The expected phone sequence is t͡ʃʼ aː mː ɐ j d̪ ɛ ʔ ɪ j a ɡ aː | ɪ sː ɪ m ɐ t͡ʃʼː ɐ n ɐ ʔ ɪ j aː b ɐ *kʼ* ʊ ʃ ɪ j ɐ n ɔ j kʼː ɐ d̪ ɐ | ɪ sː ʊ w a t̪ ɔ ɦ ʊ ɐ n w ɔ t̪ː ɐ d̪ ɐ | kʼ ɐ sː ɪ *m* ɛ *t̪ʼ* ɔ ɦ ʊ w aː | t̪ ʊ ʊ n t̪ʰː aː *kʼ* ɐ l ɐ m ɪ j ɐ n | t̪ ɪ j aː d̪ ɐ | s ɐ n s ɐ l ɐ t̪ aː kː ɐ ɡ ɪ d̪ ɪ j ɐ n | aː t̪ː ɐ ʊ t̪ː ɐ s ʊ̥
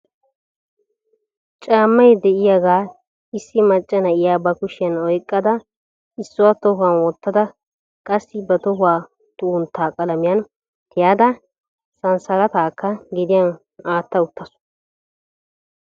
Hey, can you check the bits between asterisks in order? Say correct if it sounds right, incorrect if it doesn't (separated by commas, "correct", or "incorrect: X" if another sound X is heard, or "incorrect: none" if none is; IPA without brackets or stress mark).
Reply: incorrect: k, incorrect: b, incorrect: t̪, correct